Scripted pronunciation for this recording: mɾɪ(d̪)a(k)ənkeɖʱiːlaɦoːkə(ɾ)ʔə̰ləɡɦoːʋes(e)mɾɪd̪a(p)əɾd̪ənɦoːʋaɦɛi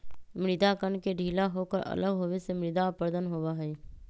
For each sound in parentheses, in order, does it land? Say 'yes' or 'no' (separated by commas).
yes, yes, yes, yes, yes